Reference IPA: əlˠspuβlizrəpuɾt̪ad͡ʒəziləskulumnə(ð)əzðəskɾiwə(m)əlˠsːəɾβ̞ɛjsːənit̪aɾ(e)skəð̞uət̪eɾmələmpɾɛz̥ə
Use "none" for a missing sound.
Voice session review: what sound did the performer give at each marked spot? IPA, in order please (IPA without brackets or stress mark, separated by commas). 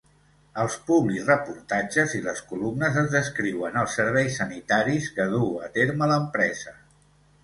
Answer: z, n, i